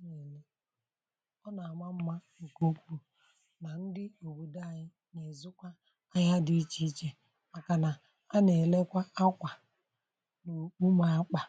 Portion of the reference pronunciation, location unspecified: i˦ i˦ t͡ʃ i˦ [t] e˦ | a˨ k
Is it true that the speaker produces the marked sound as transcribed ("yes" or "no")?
no